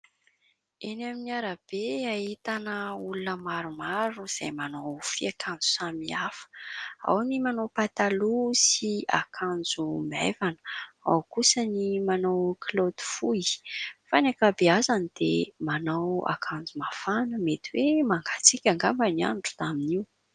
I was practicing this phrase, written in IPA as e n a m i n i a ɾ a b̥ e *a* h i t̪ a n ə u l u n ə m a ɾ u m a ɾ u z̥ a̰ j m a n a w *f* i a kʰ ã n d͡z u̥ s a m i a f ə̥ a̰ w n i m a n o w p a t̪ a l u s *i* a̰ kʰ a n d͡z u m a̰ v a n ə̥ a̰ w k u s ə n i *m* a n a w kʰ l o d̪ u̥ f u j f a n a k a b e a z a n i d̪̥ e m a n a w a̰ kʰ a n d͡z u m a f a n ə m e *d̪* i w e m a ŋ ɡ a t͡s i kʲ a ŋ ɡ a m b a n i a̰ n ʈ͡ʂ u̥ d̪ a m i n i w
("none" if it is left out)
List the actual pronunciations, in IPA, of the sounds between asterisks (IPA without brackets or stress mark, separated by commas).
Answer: a, f, i, m, t̪